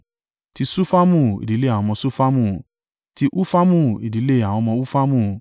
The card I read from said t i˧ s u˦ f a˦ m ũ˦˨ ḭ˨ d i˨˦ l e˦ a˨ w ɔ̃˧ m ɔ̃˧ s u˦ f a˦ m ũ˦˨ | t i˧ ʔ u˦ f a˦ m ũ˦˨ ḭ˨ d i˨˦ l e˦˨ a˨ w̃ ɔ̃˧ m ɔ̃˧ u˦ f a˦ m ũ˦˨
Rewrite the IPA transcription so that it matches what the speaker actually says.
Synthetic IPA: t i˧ s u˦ f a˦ m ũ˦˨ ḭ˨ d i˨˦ l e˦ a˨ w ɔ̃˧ m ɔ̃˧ s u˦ f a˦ m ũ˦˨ | t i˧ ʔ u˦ f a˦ m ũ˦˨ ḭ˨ d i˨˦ l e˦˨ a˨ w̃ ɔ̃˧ m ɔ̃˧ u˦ f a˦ m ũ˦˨